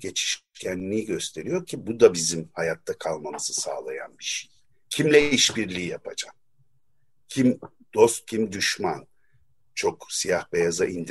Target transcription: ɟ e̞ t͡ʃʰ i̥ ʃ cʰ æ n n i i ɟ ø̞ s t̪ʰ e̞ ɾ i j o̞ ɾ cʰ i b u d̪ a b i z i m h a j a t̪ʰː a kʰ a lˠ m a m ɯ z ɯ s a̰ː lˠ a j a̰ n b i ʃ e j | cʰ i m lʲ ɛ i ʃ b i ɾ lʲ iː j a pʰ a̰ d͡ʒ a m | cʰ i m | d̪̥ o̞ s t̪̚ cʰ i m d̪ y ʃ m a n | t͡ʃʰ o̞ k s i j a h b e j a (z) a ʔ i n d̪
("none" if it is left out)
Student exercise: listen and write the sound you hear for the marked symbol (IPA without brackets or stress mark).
z